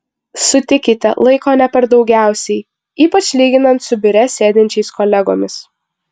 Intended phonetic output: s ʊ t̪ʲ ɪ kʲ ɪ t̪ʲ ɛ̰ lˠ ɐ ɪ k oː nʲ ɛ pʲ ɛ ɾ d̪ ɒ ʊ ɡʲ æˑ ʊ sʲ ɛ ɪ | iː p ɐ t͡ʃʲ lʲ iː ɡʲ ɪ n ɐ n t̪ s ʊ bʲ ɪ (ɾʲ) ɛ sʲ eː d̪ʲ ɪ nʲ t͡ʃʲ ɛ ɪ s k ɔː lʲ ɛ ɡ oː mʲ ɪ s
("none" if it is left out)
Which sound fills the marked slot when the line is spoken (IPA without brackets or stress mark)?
ɾʲ